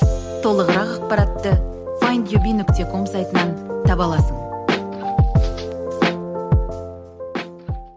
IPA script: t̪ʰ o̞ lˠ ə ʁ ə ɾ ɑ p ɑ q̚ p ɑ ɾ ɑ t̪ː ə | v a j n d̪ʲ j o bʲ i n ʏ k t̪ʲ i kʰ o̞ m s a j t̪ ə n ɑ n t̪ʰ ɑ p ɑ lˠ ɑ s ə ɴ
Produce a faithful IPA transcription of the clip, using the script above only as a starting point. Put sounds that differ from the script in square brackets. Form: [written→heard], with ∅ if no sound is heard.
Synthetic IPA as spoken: t̪ʰ o̞ lˠ ə ʁ ə ɾ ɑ [p→q] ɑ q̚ p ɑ ɾ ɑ t̪ː ə | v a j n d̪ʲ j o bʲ i n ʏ k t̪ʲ [i→e] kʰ o̞ m s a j t̪ ə n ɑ n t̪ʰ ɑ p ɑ lˠ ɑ s ə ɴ